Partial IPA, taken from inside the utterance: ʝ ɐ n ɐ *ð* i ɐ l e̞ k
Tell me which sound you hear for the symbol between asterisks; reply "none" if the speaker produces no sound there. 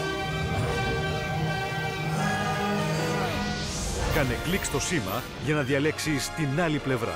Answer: ð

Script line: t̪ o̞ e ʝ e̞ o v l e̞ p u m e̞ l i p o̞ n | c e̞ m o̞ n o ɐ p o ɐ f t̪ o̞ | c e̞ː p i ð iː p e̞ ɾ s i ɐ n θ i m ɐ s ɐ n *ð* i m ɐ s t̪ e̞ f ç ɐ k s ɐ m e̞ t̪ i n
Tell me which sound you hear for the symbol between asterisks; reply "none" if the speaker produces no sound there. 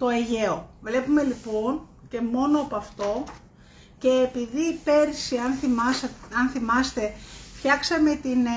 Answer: θ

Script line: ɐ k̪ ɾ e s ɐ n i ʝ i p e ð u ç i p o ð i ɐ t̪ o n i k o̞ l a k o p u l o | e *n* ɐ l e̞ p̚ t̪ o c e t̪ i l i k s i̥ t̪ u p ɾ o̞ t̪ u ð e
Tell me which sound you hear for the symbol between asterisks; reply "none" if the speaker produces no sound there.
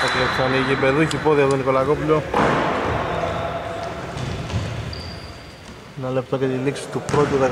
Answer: n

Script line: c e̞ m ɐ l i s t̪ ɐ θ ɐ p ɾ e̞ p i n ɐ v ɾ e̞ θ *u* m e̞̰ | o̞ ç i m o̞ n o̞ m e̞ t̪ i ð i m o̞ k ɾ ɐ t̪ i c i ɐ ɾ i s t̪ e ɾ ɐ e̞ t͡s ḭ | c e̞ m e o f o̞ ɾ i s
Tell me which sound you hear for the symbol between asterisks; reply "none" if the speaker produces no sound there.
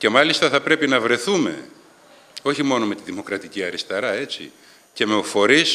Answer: u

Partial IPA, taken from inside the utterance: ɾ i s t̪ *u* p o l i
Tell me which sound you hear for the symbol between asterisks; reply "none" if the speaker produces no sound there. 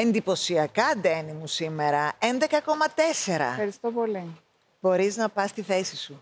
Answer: o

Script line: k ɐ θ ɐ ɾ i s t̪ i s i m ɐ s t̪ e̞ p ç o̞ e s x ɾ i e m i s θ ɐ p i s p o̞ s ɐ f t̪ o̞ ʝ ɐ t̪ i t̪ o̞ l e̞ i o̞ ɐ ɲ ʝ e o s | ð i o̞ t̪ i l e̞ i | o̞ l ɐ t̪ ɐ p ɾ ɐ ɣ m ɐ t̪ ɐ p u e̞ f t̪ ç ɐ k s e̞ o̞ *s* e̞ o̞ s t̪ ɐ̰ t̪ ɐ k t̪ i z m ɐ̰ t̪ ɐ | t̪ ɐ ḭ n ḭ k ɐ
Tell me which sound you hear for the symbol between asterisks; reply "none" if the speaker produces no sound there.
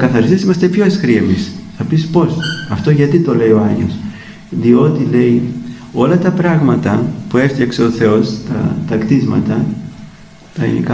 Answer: θ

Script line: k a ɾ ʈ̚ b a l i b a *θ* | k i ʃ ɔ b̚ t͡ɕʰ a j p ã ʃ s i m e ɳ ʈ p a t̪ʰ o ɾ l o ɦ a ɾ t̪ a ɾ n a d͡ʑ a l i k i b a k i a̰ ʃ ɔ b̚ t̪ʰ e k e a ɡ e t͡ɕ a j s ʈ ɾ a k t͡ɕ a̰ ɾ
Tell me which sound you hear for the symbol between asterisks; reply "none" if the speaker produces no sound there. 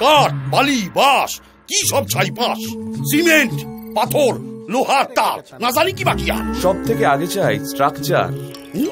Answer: ʃ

